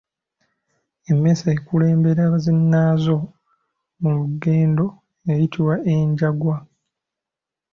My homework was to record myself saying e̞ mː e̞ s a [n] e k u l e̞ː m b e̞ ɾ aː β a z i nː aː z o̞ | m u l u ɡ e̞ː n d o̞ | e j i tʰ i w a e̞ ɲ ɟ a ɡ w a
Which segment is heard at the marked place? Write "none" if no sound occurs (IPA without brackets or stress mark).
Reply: none